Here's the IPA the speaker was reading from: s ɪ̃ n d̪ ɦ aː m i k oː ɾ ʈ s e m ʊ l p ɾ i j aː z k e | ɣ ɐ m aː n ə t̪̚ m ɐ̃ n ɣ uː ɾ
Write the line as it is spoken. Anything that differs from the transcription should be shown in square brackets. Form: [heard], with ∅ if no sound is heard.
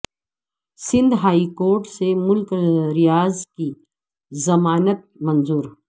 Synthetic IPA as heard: s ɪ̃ n d̪ ɦ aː [∅] i k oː ɾ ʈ s e m ʊ l [k] ɾ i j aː z k [i] | [z] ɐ m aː n ə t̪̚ m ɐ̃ n [z] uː ɾ